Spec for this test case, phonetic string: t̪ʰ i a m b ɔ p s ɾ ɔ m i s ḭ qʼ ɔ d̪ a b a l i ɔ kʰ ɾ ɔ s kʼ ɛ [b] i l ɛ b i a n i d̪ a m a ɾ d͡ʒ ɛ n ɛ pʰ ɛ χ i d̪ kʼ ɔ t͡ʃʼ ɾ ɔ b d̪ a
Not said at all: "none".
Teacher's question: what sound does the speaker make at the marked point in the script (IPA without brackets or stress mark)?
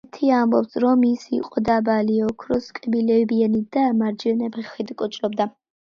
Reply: b